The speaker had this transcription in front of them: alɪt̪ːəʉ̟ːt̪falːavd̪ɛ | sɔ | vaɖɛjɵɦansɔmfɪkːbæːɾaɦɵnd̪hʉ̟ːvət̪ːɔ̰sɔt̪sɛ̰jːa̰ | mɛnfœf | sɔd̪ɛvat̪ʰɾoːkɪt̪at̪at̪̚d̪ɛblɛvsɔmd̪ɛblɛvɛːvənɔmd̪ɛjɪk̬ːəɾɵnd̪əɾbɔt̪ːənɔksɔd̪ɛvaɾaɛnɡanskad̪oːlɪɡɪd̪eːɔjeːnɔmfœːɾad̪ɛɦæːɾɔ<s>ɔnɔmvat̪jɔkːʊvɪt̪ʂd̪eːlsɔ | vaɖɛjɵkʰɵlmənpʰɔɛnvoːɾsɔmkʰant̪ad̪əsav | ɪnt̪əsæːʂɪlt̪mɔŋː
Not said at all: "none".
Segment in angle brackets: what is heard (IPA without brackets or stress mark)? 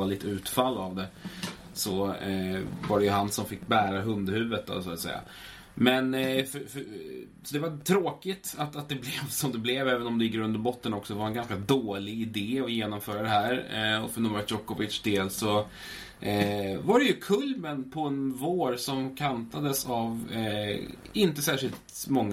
f